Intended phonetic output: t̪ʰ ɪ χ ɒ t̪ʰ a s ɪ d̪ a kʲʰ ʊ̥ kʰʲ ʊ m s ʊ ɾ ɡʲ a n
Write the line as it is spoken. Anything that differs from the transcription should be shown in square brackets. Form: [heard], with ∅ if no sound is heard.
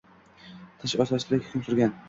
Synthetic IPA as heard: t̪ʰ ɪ [ʃ] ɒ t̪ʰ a s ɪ d̪ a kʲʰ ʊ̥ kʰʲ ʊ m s ʊ ɾ ɡʲ a n